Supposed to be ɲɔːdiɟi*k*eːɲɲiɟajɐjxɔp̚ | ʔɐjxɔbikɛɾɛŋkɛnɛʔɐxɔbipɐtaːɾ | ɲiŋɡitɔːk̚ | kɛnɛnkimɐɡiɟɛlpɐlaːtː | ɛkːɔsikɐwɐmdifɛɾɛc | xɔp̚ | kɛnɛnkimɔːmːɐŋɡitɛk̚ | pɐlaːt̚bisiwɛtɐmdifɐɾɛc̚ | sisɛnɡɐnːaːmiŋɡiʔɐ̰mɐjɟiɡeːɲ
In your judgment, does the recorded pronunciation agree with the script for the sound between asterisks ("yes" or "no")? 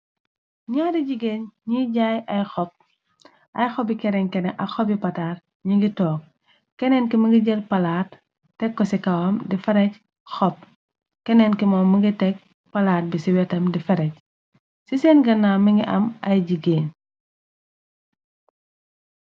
no